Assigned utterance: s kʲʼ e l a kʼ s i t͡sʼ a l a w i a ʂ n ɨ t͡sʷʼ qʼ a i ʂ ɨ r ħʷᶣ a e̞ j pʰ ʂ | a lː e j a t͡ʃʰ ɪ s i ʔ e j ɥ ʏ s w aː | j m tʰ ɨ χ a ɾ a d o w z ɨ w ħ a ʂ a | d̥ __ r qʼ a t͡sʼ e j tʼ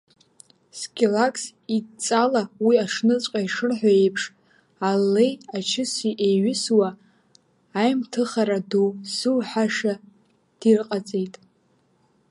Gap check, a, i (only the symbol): i